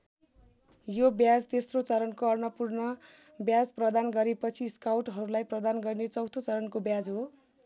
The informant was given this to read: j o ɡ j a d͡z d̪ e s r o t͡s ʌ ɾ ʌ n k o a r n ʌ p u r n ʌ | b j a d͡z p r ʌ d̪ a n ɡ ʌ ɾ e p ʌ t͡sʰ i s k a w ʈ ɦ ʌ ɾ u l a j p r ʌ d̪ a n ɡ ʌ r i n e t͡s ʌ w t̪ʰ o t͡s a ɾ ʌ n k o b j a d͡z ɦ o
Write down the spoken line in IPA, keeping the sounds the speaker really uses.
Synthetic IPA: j o b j a d͡z t̪ e s r o t͡s ʌ ɾ ʌ n k o ʌ r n ʌ p u r n ʌ | b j a d͡z p r ʌ d̪ a n ɡ ʌ ɾ e p ʌ t͡sʰ i s k a w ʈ ɦ ʌ ɾ u l a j p r ʌ d̪ a n ɡ ʌ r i n e t͡s ʌ w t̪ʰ o t͡s ʌ ɾ ʌ n k o b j a d͡z ɦ o